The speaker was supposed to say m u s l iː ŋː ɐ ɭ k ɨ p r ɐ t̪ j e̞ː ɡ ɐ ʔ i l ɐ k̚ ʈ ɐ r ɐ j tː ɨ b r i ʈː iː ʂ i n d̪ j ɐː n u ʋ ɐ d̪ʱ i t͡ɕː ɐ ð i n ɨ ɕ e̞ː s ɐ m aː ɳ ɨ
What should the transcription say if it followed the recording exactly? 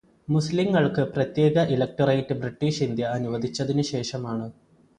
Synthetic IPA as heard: m u s l i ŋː ɐ ɭ k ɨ p r ɐ t̪ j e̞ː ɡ ɐ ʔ i l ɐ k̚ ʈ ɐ r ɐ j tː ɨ b r i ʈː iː ʂ i n d̪ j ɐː n u ʋ ɐ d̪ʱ i t͡ɕː ɐ ð i n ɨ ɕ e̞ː ʂ ɐ m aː ɳ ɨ